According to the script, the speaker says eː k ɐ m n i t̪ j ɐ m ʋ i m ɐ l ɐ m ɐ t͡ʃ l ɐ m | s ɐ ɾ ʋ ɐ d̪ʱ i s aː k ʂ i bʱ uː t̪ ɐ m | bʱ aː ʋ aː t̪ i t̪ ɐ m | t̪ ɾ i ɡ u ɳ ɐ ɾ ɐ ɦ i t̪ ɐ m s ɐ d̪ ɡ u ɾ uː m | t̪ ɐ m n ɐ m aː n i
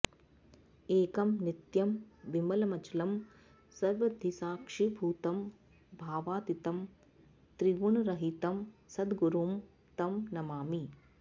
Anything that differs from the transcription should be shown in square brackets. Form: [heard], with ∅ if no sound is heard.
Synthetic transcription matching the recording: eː k ɐ m n i t̪ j ɐ m ʋ i m ɐ l ɐ m ɐ t͡ʃ l ɐ m | s ɐ ɾ ʋ ɐ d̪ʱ i s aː k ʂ i bʱ uː t̪ ɐ m | bʱ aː ʋ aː t̪ i t̪ ɐ m | t̪ ɾ i ɡ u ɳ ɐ ɾ ɐ ɦ i t̪ ɐ m s ɐ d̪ ɡ u ɾ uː m | t̪ ɐ m n ɐ m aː [m] i